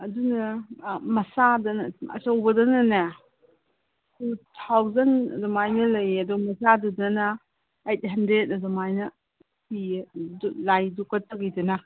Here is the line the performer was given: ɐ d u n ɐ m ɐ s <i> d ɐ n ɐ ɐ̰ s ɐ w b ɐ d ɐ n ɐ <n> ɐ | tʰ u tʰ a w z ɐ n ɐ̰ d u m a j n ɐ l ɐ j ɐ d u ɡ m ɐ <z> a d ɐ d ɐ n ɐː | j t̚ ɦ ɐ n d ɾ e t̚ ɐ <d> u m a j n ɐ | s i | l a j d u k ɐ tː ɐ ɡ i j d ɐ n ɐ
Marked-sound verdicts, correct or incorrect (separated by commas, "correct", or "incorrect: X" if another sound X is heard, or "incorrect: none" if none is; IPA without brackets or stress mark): incorrect: a, correct, incorrect: s, correct